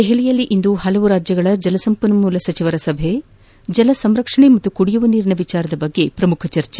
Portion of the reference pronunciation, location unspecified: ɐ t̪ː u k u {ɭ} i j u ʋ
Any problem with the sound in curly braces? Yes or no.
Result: yes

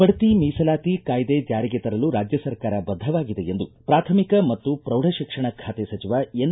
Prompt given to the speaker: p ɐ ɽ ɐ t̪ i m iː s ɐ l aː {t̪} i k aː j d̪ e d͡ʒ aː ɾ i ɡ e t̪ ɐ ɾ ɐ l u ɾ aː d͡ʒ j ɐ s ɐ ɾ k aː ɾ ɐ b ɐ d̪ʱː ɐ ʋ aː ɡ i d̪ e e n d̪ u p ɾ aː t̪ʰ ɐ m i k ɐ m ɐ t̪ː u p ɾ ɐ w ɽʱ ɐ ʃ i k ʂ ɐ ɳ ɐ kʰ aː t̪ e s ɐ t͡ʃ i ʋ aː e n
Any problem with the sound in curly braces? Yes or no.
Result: no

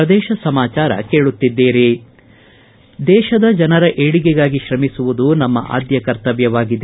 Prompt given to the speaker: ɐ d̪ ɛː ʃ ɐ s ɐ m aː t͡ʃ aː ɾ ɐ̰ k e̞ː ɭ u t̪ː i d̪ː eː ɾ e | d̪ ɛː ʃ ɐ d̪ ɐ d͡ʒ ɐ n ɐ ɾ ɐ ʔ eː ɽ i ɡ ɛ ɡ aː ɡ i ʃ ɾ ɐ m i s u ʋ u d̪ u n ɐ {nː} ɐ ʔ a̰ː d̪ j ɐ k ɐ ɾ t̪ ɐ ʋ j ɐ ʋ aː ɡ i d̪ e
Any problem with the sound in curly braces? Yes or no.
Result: yes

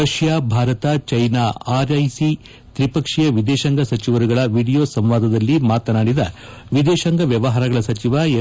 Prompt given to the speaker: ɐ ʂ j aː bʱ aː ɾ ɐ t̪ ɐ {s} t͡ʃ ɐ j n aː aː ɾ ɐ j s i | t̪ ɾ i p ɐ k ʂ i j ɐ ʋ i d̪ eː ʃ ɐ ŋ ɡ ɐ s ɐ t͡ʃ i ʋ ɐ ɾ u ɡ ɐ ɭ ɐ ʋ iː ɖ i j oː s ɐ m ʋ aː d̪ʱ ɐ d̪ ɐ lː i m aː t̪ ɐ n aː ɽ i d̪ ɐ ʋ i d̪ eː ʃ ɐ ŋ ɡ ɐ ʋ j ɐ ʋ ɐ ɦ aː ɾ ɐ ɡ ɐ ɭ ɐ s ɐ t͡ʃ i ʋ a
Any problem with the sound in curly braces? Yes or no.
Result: yes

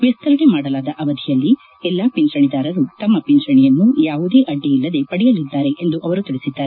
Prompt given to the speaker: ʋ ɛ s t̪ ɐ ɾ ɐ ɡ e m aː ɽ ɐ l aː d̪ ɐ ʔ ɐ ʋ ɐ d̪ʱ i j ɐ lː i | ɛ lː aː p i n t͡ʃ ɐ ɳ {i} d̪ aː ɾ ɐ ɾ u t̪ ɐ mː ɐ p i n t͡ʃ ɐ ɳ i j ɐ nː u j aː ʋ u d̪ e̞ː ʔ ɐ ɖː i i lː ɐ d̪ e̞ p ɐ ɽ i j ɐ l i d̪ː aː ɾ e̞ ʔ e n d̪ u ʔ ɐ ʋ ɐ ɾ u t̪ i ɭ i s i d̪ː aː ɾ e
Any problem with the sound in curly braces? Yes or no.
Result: no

